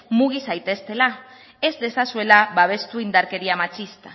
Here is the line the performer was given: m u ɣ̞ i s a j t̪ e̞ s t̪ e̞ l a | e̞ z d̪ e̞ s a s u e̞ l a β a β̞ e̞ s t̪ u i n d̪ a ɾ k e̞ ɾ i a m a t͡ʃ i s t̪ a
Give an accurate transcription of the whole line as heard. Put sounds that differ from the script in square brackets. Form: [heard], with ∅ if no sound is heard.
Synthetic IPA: m u ɣ̞ i s a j t̪ e̞ s t̪ e̞ l a | e̞ z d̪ e̞ s a s u e̞ l a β a β̞ e̞ s t̪ u i n d̪ a ɾ k e̞ ɾ i a m a t͡ʃ i s t̪ a